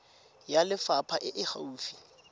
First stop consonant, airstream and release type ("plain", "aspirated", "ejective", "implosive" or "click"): aspirated